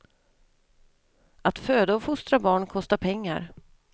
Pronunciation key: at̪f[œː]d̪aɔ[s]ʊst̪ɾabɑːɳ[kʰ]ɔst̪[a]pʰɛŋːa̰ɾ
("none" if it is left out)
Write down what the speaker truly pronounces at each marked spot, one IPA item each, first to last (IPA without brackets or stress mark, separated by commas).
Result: øː, f, kʰ, a